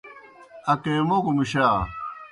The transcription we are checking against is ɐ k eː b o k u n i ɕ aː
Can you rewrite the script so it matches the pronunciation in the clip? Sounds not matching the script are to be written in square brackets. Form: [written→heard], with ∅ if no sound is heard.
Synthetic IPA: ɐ k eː [b→m] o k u [n→m] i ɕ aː